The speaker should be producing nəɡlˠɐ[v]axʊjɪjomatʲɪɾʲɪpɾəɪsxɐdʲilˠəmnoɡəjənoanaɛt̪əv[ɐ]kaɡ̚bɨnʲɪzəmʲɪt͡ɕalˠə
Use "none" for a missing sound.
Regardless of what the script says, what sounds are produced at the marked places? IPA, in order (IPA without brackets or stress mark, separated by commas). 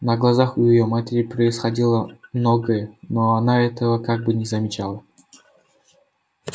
z, ə